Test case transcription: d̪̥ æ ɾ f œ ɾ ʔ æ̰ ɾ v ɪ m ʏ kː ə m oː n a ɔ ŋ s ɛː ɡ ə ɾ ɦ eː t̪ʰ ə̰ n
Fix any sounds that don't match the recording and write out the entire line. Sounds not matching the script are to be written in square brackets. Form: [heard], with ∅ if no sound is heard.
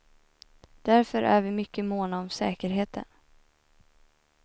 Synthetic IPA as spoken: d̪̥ æ ɾ f œ ɾ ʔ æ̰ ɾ v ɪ m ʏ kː ə m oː n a ɔ [m] s ɛː [k] ə ɾ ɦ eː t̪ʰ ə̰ n